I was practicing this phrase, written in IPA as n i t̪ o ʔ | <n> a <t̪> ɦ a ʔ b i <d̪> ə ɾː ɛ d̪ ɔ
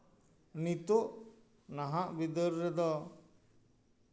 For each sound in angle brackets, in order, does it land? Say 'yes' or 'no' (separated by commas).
yes, no, yes